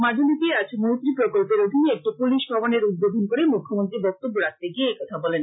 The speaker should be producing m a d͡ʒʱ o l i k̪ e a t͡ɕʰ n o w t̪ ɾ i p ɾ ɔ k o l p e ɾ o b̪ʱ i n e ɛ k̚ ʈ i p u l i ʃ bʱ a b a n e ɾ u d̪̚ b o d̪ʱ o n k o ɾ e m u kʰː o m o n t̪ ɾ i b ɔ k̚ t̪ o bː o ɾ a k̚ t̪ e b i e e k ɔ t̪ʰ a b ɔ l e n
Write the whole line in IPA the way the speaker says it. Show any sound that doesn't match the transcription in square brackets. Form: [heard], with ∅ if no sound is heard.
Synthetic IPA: m a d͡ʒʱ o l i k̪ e a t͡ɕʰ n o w t̪ ɾ i p ɾ [o] k o l p e ɾ o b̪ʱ i n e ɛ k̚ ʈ i p u l i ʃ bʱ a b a n e ɾ u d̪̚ b o d̪ʱ o n k o ɾ e m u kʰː o m o n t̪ ɾ i b ɔ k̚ t̪ o bː o ɾ a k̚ t̪ e [ɡ] i e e k ɔ t̪ʰ a b ɔ l e n